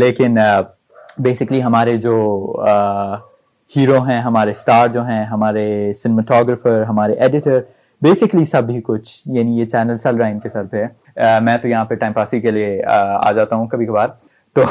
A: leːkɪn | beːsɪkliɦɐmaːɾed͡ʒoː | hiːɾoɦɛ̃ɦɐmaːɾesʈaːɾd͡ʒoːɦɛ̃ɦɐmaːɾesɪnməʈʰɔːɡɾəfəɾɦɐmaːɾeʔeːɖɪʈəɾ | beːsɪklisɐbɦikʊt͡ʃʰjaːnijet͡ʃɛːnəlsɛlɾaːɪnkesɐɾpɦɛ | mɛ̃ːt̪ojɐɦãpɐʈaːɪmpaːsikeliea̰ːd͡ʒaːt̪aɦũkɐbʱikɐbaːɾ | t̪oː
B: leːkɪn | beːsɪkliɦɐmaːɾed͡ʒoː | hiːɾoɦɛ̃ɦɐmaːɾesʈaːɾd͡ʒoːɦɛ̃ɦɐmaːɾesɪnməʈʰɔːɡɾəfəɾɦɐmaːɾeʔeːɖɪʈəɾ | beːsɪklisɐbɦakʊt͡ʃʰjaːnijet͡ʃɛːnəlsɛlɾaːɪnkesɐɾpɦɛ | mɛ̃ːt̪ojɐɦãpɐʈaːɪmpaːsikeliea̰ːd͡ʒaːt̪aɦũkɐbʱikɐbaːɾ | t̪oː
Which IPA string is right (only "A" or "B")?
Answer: A